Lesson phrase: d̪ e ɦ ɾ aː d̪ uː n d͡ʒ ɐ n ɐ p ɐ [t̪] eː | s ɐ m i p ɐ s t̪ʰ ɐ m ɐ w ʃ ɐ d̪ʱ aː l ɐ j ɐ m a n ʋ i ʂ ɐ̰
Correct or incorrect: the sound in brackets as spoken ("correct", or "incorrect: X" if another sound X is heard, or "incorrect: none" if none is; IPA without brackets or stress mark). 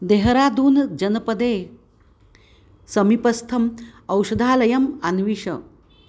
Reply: incorrect: d̪